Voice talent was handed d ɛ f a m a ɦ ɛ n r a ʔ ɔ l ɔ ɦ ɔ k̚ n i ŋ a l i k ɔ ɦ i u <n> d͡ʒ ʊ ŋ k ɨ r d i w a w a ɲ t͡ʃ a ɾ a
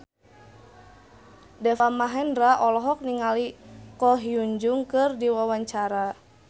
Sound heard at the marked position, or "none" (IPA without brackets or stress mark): ɲ